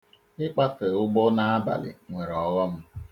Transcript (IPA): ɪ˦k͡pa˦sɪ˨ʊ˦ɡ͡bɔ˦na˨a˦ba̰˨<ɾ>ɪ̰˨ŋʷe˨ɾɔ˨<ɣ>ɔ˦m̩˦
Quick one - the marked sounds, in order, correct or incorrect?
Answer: incorrect, correct

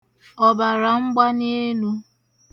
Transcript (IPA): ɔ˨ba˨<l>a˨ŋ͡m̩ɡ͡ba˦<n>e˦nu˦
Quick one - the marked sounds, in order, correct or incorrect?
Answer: incorrect, correct

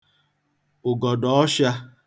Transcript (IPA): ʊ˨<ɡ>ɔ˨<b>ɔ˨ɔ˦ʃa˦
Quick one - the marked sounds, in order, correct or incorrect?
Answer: correct, incorrect

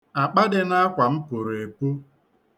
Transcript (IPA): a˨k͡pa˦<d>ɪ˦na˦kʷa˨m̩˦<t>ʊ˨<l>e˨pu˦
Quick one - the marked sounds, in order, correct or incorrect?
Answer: correct, incorrect, incorrect

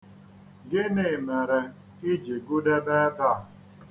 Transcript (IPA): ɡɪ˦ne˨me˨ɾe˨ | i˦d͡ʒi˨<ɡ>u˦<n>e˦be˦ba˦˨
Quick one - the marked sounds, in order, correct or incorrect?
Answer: correct, incorrect

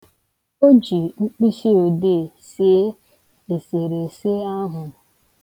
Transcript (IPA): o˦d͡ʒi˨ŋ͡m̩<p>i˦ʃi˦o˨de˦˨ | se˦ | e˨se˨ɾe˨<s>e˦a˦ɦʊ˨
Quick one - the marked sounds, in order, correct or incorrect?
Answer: incorrect, correct

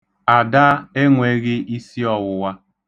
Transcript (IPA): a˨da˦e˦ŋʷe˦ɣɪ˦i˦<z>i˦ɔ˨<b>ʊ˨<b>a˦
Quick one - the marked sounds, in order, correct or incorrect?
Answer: incorrect, incorrect, incorrect

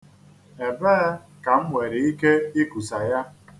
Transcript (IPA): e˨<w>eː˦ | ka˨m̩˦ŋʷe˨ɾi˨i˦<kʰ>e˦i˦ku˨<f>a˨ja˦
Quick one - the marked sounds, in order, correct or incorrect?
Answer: incorrect, incorrect, incorrect

